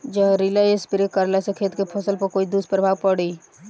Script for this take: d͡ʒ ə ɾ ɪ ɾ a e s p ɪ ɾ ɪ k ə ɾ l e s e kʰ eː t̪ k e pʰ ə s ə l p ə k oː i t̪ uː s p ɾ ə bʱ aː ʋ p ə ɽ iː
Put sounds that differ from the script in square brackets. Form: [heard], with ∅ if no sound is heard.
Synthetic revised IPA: d͡ʒ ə ɾ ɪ [l] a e s p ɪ ɾ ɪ k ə ɾ l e s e kʰ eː t̪ k e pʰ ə s ə l p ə k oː i [d̪] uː s p ɾ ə bʱ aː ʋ p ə ɽ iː